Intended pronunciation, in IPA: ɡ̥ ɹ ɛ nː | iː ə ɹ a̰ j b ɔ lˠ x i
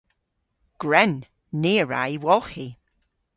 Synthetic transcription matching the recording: ɡ̥ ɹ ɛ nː | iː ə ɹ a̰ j w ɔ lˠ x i